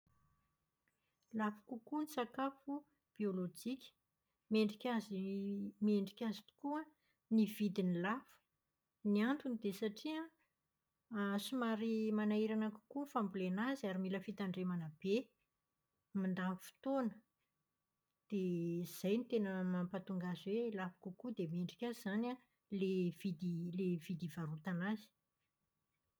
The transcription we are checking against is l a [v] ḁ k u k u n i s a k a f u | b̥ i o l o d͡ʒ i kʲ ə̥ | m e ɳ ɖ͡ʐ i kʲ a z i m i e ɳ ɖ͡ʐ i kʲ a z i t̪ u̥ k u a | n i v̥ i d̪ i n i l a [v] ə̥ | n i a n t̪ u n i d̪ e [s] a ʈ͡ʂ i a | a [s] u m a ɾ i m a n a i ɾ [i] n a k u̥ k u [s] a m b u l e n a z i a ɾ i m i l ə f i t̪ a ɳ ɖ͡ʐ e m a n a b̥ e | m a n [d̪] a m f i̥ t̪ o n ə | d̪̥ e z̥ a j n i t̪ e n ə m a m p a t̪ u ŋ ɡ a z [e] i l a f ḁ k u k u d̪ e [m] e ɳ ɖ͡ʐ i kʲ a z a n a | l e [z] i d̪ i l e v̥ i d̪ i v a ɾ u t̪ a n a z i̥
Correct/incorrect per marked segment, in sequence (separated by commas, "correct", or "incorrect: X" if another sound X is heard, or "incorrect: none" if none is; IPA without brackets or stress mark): incorrect: f, incorrect: f, correct, correct, incorrect: a, incorrect: f, correct, correct, correct, incorrect: v